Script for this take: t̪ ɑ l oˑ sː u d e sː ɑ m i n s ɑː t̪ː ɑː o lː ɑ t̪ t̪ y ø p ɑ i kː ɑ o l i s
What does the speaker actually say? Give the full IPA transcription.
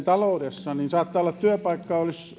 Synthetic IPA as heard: t̪ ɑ l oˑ u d e sː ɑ n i n s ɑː t̪ː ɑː o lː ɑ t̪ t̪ y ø p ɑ i kː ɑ o l i s

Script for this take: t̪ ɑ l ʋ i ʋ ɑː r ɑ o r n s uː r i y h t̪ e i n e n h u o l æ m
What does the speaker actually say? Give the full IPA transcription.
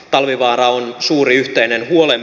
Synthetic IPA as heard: t̪ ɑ l ʋ i ʋ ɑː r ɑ o n s uː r i y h t̪ e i n e n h u o l e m

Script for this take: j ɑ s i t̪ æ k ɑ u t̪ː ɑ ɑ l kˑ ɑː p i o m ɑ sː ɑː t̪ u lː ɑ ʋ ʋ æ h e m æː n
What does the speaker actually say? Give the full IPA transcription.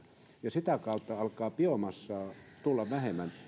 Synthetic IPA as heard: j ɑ s i t̪ æ k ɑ u t̪ː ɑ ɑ l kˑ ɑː p i o m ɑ sː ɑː t̪ u lː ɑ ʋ ʋ æ h e m æ n

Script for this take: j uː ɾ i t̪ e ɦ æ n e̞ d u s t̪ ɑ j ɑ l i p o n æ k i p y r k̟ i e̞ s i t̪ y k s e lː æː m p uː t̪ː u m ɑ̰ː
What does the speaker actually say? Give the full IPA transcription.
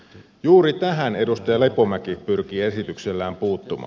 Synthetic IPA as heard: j uː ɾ i t̪ æ ɦ æ n e̞ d u s t̪ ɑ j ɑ l e p o m æ k i p y r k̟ i e̞ s i t̪ y k s e lː æː m p uː t̪ː u m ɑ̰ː

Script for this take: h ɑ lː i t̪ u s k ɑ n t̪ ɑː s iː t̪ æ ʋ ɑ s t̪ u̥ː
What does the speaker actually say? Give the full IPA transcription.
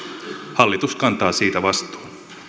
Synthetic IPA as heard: h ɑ lː i t̪ u s k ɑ n t̪ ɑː s iː t̪ æ ʋ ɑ s t̪ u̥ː

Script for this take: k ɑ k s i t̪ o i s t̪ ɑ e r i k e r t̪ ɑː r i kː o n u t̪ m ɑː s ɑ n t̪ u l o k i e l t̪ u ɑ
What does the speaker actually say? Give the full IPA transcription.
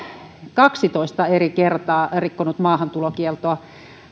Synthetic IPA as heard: k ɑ k s i t̪ o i s t̪ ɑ e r i k e r t̪ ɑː r i kː o n u t̪ m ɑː h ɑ n t̪ u l o k i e l t̪ o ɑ

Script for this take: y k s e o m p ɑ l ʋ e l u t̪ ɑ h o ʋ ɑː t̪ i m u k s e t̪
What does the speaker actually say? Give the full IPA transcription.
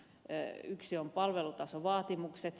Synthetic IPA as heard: y k s i o m p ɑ l ʋ e l u t̪ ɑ s o ʋ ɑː t̪ i m u k s e t̪

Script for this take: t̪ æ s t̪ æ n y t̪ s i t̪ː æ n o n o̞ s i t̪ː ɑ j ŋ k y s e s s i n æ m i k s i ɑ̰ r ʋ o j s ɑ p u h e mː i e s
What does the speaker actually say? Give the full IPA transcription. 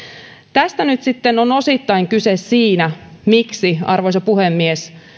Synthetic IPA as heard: t̪ æ s t̪ æ n y t̪ s i t̪ː e n o n o̞ s i t̪ː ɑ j ŋ k y s e s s iː n æ m i k s i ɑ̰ r ʋ o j s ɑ p u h e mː i e s

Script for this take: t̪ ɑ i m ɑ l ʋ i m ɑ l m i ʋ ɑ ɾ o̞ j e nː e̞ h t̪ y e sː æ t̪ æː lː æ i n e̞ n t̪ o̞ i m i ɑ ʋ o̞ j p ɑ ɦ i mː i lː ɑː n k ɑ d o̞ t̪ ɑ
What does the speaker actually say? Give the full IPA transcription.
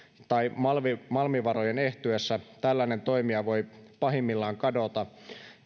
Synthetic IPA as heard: t̪ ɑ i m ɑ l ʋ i m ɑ l m i ʋ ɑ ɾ o̞ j e n e̞ h t̪ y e sː æ t̪ æ lː æ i n e̞ n t̪ o̞ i m i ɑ ʋ o̞ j p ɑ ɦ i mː i lː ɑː ŋ k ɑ d o̞ t̪ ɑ

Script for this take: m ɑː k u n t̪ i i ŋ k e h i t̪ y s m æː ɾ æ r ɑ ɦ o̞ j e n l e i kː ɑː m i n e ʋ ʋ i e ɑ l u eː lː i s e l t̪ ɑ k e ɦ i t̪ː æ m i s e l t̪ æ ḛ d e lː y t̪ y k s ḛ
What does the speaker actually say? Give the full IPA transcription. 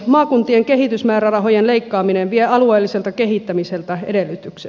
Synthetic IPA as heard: m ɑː k u n t̪ i e ŋ k e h i t̪ y s m æː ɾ æ r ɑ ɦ o̞ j e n l e i kː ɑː m i n e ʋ ʋ i e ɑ l u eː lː i s e l t̪ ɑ k e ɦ i t̪ː æ m i s e l t̪ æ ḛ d e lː y t̪ y k s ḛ

